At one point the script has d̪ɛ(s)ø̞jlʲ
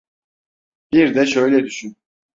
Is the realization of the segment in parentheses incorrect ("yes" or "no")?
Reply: yes